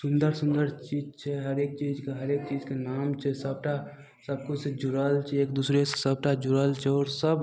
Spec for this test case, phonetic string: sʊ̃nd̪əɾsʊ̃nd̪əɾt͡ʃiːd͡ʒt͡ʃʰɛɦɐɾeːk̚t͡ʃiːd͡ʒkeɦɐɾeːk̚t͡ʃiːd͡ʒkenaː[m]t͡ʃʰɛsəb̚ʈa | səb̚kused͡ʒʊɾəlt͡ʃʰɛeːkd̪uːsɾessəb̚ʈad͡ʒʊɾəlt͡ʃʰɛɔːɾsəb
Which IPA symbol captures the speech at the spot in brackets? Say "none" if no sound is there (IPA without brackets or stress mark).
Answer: m